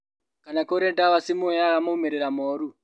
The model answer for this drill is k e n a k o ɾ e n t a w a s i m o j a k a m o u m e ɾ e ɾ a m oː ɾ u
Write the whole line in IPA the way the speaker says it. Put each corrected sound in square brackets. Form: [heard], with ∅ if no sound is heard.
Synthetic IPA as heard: k [a] n a k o ɾ e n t a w a s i m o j a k a m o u m e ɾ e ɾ a m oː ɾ u